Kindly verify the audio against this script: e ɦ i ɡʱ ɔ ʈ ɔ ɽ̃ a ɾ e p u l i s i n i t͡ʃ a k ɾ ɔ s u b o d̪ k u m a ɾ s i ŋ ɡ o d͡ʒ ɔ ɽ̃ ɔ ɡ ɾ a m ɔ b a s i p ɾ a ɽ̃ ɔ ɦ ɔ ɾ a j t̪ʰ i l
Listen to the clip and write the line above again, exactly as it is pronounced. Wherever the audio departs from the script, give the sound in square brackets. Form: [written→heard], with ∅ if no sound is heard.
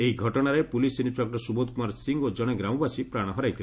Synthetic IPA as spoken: e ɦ i ɡʱ ɔ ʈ ɔ ɽ̃ a ɾ e p u l i s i n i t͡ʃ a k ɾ ɔ s u b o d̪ k u m a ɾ s i ŋ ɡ o d͡ʒ ɔ ɽ̃ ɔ ɡ ɾ a m ɔ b a s i p ɾ a ɽ̃ ɔ ɦ ɔ ɾ a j t̪ʰ i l